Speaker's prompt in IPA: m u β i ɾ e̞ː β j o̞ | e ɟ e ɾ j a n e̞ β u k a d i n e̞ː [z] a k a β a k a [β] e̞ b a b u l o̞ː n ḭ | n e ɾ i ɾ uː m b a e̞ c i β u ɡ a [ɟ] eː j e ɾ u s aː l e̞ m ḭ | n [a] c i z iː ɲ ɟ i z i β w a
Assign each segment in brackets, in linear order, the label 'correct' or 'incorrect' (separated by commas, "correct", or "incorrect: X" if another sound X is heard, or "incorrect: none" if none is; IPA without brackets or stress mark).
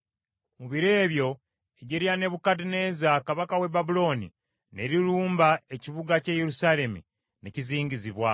correct, incorrect: w, incorrect: c, incorrect: e